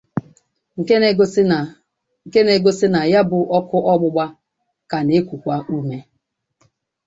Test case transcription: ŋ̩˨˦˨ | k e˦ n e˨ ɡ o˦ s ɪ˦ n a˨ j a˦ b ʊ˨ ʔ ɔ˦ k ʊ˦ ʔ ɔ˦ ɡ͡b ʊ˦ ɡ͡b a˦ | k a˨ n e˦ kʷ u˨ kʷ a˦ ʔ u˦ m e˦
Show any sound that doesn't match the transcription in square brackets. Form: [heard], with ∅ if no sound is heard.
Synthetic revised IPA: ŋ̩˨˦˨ | k e˦ n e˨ ɡ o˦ s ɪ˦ n a˨ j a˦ b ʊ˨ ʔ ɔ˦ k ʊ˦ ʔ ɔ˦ ɡ͡b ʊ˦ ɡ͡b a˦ | k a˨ n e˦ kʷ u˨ kʷ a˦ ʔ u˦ m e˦

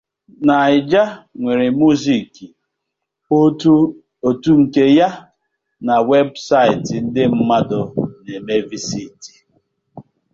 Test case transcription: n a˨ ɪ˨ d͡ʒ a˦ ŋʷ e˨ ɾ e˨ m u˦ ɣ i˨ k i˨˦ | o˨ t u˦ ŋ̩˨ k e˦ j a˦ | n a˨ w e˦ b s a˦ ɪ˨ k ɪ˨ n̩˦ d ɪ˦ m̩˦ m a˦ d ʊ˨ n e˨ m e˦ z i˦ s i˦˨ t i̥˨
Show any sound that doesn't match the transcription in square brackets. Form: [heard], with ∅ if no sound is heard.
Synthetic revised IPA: n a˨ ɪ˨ d͡ʒ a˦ ŋʷ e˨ ɾ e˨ m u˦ [z] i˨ k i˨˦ | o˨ t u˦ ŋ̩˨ k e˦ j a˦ | n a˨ w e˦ b s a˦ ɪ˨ [t] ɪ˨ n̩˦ d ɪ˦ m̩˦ m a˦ d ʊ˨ n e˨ m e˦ [v] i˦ s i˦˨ t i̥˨

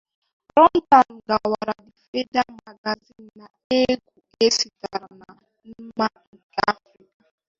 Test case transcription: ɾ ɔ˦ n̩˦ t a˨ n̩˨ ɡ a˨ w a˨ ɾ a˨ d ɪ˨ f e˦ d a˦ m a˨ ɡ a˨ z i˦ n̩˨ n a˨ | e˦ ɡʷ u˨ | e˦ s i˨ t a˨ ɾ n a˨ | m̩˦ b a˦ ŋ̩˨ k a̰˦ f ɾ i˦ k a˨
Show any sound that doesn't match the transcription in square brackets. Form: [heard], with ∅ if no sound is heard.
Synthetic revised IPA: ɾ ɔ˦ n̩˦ t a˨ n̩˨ ɡ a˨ w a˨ ɾ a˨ d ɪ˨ f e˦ d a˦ m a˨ ɡ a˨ z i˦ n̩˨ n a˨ | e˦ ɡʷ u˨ | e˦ s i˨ t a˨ ɾ n a˨ | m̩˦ [m] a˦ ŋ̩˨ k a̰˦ f ɾ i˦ k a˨

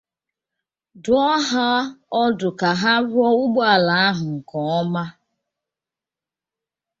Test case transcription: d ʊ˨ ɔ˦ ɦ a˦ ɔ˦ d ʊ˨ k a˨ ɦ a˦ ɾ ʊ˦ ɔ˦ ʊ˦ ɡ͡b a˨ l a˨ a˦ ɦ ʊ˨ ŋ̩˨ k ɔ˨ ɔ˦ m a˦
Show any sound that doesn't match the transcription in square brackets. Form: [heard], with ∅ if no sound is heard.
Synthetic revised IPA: d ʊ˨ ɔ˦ ɦ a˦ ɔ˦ d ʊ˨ k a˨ ɦ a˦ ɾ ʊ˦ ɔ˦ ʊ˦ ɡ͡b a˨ l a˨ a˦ ɦ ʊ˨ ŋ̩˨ k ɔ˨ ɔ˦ m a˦

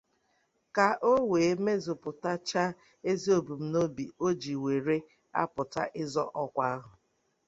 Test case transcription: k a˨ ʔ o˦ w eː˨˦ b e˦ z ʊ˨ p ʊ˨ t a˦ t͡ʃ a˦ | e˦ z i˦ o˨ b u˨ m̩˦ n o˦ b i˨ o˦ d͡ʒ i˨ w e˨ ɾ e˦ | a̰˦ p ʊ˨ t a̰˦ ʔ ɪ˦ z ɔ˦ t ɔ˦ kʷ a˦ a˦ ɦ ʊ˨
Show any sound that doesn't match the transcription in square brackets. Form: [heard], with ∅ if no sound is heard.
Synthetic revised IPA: k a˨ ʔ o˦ w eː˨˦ [m] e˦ z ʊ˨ p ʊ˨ t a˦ t͡ʃ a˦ | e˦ z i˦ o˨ b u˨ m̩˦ n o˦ b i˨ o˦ d͡ʒ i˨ w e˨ ɾ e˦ | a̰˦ p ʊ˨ t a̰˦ ʔ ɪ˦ z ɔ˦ [ʔ] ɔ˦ kʷ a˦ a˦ ɦ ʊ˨

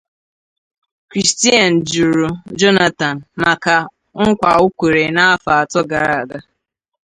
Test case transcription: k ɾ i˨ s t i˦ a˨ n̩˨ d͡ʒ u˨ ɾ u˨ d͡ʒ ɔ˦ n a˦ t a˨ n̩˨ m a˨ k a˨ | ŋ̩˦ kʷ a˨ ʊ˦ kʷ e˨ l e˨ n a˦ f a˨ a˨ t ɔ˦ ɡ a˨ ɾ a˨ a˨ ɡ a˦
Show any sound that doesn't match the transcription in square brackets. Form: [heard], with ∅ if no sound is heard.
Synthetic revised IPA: k ɾ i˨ s t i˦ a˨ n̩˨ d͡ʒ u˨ ɾ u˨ d͡ʒ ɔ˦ n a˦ t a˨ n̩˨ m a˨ k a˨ | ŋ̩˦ kʷ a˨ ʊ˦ kʷ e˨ [ɾ] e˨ n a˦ f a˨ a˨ t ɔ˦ ɡ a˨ ɾ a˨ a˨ ɡ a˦

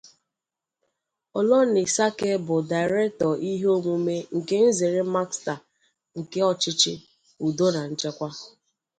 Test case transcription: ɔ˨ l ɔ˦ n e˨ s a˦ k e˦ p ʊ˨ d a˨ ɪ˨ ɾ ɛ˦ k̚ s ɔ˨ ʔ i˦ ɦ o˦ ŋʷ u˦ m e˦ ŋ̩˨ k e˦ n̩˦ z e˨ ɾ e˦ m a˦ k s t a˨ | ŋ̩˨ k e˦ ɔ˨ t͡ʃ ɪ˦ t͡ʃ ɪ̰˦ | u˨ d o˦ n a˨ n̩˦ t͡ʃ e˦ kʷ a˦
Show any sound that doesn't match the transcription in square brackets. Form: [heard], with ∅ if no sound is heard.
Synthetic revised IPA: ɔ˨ l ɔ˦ n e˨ s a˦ k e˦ [b] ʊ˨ d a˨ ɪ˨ ɾ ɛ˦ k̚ [t] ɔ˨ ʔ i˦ ɦ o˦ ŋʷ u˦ m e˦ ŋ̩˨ k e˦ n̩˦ z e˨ ɾ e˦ m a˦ k s t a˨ | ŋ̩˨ k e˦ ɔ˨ t͡ʃ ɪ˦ t͡ʃ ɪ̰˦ | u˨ d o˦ n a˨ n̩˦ t͡ʃ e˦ kʷ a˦

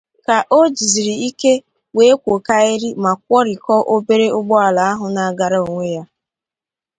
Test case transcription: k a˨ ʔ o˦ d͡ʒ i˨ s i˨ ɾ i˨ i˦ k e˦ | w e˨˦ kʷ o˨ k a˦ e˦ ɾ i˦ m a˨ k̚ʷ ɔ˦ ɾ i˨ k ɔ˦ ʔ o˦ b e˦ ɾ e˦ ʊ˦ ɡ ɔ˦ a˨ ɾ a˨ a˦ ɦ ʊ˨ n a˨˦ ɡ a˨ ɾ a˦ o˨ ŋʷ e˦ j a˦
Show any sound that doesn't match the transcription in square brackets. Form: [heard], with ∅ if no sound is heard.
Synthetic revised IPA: k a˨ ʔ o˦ d͡ʒ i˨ [z] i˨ ɾ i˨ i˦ k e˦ | w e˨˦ kʷ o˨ k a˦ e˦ ɾ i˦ m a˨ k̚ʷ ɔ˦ ɾ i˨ k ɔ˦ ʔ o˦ b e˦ ɾ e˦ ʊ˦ [ɡ͡b] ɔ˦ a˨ [l] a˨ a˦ ɦ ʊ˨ n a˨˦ ɡ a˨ ɾ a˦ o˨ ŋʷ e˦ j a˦

